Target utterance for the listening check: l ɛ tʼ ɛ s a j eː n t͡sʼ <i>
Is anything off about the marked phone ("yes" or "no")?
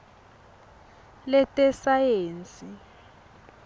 no